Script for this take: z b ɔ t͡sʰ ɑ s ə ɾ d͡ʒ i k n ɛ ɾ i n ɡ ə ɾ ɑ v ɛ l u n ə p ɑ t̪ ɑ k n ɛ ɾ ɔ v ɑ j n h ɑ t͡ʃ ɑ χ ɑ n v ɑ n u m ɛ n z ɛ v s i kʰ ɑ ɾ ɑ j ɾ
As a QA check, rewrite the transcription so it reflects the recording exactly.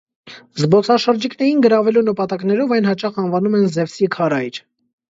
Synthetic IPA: z b ɔ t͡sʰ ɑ ʃ ə ɾ d͡ʒ i k n ɛ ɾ i n ɡ ə ɾ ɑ v ɛ l u n ə p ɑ t̪ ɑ k n ɛ ɾ ɔ v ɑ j n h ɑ t͡ʃ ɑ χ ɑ n v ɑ n u m ɛ n z ɛ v s i kʰ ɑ ɾ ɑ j ɾ